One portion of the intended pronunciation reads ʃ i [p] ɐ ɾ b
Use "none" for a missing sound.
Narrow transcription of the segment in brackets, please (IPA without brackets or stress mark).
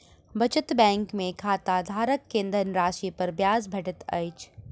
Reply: p